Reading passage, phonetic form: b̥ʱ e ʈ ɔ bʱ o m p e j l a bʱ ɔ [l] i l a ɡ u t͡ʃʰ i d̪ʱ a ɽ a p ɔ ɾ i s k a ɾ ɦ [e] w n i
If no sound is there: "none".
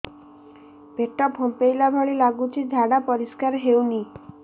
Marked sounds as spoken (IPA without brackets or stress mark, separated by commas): ɭ, e